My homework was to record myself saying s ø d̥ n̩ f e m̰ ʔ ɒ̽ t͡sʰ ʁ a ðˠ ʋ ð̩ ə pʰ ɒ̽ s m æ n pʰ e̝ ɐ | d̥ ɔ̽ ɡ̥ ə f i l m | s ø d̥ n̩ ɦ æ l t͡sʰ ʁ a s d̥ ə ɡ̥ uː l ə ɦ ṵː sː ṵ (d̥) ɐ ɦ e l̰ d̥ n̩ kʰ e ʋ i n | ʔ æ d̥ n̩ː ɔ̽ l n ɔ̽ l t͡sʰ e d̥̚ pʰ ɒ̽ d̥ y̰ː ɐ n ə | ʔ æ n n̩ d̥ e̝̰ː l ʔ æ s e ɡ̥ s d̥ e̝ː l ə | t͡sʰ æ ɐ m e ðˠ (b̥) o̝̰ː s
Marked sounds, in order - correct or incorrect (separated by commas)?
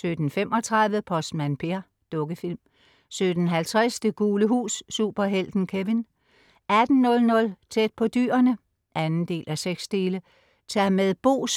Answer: incorrect, correct